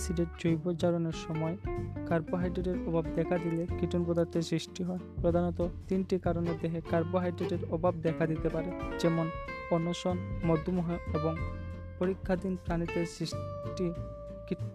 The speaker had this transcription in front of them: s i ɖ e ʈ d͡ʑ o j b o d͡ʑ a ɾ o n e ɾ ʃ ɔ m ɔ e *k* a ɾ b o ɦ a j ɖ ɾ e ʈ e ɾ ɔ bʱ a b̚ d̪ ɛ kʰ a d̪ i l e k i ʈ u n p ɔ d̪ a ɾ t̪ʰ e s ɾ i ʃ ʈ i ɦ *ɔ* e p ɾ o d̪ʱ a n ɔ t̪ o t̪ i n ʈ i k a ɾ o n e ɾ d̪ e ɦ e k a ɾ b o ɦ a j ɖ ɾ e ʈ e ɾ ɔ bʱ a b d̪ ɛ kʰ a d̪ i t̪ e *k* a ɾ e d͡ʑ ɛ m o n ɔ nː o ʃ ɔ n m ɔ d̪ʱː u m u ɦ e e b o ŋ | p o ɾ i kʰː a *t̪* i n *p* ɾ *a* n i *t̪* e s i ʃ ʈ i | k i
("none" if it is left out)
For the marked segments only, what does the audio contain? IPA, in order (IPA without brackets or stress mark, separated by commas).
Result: k, ɔ, p, d̪, p, a, t̪